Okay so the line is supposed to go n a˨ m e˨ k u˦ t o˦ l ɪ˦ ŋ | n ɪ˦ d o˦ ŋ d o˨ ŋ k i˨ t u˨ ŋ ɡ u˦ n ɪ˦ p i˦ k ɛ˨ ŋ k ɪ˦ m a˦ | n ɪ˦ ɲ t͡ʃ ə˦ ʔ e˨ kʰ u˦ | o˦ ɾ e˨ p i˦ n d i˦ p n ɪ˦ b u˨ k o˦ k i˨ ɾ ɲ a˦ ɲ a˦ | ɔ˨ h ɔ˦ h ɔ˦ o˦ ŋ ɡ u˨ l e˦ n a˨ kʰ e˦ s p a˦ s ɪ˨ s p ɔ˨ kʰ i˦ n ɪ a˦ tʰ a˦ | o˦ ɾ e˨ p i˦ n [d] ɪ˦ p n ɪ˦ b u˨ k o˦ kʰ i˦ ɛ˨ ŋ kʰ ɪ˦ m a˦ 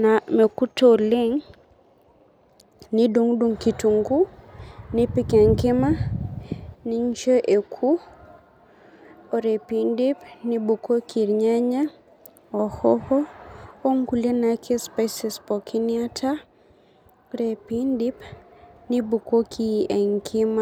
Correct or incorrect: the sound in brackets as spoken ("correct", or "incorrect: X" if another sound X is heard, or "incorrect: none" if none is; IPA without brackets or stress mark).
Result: correct